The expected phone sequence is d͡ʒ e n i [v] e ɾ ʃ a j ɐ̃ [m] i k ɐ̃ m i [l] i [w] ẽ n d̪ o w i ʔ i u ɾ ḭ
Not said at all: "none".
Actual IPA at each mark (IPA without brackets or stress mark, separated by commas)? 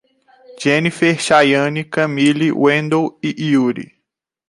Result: f, n, l, w